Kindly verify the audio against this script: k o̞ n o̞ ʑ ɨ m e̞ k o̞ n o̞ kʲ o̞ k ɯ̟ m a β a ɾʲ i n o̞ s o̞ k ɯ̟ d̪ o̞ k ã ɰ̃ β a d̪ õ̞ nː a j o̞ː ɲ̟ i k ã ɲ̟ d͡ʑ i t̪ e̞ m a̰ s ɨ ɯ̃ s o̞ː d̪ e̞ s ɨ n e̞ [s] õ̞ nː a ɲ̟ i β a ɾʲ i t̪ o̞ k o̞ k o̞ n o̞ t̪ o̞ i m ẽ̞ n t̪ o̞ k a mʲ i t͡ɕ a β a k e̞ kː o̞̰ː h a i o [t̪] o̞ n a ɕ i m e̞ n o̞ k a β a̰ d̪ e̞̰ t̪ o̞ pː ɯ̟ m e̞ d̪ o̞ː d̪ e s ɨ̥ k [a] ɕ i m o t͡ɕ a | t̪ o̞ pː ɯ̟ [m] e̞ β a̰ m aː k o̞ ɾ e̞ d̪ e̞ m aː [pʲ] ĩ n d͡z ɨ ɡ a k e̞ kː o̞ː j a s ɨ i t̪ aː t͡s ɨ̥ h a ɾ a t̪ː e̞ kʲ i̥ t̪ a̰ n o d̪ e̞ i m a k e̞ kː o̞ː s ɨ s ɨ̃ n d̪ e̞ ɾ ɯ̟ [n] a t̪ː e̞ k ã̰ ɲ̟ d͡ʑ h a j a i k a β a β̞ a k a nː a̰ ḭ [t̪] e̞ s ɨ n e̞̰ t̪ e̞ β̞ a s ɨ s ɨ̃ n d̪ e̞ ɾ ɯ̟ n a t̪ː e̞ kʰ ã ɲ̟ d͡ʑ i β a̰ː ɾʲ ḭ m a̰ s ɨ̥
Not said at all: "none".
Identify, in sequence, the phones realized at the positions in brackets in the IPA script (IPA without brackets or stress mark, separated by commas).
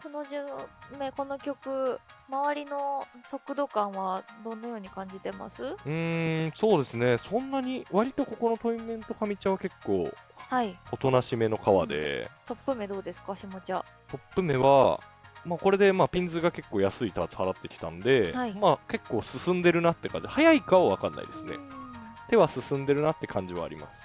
s, t̪, a, m, pʲ, n, d̪